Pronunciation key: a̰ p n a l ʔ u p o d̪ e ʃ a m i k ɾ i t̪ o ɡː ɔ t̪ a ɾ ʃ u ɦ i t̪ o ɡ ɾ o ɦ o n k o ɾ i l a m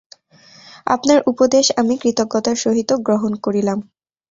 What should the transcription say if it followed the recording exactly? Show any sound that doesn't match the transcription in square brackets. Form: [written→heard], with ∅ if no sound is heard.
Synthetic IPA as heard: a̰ p n a [l→ɾ] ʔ u p o d̪ e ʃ a m i k ɾ i t̪ o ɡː ɔ t̪ a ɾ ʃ [u→o] ɦ i t̪ o ɡ ɾ o ɦ o n k o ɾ i l a m